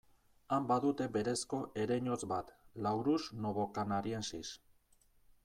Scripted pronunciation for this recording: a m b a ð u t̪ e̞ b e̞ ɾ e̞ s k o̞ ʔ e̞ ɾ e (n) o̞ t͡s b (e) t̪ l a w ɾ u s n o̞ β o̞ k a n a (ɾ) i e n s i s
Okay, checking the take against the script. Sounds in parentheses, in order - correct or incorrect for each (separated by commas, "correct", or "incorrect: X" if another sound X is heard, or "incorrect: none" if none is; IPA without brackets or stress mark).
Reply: incorrect: ɲ, incorrect: a, correct